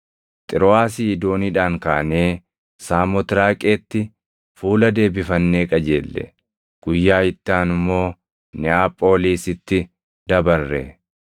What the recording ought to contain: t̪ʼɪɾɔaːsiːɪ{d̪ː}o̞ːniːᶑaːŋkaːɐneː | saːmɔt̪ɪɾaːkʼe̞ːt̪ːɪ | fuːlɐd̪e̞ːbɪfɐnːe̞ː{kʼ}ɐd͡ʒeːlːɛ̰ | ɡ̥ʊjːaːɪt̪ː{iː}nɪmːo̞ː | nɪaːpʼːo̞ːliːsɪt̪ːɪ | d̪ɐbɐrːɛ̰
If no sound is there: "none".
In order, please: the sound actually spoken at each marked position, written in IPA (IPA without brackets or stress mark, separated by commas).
d̪, kʼ, aː